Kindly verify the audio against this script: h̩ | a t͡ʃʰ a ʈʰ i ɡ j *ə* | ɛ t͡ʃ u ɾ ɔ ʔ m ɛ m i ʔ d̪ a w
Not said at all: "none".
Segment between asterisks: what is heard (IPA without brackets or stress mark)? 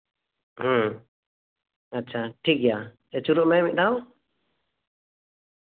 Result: a